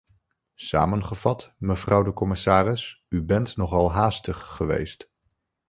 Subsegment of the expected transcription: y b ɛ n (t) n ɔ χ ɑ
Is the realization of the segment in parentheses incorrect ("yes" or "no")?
no